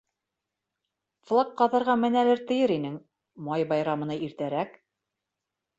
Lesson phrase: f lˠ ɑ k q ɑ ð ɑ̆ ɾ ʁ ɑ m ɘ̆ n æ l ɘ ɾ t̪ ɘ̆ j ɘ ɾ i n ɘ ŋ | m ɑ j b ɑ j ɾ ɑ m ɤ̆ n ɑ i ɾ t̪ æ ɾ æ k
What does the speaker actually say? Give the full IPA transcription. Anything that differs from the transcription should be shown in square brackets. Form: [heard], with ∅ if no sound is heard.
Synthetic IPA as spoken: f lˠ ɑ k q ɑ ð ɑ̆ ɾ ʁ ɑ m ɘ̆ n æ l ɘ ɾ t̪ ɘ̆ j ɘ ɾ i n ɘ ŋ | m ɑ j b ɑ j ɾ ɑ m ɤ̆ n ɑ i ɾ t̪ æ ɾ æ k